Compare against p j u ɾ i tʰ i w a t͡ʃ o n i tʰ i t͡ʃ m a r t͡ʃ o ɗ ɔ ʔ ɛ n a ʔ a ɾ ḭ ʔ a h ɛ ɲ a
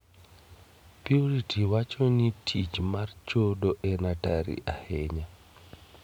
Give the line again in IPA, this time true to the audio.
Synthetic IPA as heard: p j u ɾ i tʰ i w a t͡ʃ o n i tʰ i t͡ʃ m a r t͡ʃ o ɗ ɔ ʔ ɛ n a t a ɾ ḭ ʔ a h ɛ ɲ a